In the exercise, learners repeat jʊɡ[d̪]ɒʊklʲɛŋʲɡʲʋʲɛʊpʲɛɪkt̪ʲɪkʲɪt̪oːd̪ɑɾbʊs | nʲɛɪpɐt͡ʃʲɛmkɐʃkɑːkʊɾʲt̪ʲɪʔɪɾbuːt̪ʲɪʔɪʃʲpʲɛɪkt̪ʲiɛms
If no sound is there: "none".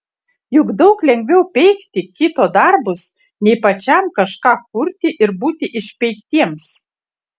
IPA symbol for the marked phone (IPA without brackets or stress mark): d̪